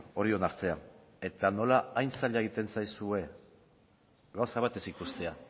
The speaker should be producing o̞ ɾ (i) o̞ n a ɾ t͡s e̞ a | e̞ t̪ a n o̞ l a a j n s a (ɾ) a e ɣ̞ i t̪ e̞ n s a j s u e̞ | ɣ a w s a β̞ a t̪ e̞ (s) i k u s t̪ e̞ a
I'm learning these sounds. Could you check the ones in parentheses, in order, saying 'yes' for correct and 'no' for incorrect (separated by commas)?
yes, no, yes